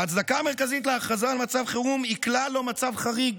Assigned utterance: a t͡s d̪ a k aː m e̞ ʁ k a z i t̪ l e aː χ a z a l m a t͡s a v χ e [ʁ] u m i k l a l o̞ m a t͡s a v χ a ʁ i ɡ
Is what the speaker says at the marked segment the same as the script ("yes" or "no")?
yes